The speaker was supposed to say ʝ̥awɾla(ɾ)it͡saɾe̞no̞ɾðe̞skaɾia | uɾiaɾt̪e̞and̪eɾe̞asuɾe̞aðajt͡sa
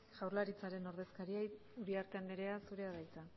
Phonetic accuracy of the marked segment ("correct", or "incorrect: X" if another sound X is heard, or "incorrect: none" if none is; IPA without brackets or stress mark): correct